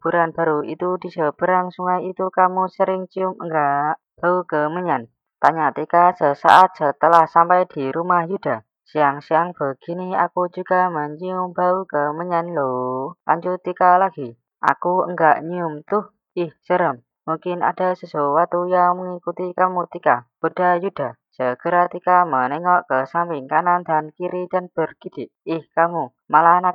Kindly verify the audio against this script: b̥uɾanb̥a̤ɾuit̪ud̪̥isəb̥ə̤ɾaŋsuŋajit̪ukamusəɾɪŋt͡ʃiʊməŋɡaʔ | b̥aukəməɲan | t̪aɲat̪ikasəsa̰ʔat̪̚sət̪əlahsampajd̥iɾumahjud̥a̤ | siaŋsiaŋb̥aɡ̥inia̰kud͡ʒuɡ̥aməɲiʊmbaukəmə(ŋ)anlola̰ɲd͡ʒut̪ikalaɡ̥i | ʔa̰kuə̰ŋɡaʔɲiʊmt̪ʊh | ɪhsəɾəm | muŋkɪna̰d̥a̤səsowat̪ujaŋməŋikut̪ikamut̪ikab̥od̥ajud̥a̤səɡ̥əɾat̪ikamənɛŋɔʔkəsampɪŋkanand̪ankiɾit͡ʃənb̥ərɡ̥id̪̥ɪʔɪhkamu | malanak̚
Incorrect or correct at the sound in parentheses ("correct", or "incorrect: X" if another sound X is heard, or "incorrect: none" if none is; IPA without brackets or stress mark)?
incorrect: ɲ